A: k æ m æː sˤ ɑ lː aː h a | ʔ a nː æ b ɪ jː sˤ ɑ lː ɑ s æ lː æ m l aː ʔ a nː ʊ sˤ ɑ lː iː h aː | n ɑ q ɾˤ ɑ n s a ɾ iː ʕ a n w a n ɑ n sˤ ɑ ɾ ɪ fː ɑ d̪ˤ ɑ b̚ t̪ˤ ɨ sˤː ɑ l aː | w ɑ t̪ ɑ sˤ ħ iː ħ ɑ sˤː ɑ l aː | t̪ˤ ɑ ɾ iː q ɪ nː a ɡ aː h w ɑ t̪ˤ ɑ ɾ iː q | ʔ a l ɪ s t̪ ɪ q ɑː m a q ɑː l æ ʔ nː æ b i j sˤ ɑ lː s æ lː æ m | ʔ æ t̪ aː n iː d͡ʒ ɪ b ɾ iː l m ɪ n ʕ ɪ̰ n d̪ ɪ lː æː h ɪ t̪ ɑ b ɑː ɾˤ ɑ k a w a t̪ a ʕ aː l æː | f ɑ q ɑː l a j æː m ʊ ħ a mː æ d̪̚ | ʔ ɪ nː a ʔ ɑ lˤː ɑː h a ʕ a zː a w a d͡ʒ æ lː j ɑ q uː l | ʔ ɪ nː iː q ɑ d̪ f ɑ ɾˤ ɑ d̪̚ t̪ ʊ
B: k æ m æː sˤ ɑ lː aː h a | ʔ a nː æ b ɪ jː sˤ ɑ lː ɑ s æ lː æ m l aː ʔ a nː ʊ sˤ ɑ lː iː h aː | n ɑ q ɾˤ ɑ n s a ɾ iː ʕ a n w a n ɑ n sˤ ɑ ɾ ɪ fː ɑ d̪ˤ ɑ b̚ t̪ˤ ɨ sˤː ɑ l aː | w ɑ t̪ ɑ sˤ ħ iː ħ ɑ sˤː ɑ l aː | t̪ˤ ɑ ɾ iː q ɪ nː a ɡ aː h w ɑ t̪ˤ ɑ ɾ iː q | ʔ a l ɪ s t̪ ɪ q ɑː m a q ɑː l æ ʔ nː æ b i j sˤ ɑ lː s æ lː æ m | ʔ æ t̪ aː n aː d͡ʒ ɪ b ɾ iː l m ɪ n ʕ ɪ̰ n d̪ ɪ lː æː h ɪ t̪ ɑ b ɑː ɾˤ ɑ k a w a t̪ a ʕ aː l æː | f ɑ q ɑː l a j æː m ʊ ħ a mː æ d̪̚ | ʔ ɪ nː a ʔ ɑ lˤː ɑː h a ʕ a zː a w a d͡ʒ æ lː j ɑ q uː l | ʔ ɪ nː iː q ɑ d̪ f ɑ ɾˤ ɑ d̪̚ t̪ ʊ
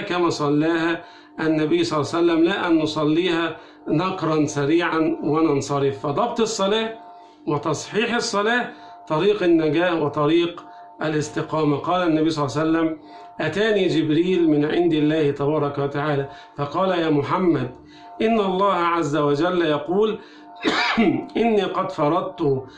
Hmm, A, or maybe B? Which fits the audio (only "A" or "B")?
A